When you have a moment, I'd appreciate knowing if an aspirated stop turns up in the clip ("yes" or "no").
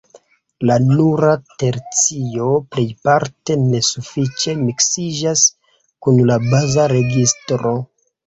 no